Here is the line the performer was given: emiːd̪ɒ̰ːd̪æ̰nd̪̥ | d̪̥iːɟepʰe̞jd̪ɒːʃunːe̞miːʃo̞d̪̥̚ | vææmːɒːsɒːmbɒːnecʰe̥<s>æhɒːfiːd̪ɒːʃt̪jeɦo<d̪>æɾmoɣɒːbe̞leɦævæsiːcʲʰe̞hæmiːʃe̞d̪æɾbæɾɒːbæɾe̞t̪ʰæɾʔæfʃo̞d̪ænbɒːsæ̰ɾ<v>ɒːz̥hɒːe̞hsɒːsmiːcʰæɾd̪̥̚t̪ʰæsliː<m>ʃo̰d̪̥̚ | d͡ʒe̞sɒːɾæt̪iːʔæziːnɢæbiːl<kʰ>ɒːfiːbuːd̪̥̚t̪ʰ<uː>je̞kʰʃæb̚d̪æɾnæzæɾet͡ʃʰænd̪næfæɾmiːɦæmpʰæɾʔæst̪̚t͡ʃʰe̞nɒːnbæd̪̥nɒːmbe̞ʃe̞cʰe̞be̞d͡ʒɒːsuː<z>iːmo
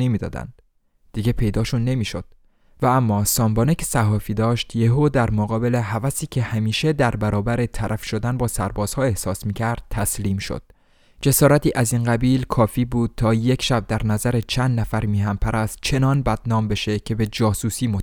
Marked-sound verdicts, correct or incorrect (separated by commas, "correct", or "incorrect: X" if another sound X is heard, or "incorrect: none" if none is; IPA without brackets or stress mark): correct, correct, incorrect: b, correct, correct, incorrect: ɒː, incorrect: s